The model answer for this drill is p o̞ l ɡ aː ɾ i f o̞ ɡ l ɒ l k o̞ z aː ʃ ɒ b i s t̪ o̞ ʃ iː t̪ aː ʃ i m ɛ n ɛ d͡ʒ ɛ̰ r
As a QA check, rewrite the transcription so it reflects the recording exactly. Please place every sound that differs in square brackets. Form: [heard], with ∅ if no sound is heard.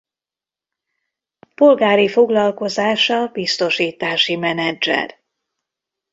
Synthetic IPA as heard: p o̞ l ɡ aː ɾ i f o̞ ɡ l ɒ l k o̞ z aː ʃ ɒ b i s t̪ o̞ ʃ iː t̪ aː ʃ i m ɛ n ɛ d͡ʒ ɛ̰ r